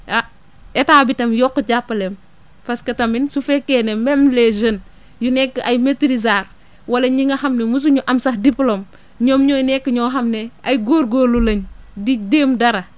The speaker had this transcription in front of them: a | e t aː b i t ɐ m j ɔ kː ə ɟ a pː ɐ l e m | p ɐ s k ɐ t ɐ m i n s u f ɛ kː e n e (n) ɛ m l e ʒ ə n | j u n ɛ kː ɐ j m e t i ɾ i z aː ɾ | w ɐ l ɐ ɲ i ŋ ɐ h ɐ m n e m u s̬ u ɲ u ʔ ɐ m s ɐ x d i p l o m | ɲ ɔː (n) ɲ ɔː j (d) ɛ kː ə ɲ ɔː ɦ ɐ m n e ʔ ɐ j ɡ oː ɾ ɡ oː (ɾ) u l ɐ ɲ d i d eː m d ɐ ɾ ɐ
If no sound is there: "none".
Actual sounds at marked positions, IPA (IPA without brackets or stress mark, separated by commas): m, m, n, l